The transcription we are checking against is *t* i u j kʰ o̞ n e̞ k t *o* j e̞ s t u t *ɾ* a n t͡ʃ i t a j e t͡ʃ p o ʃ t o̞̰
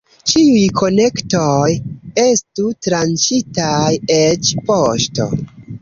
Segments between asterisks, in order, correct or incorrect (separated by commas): incorrect, correct, correct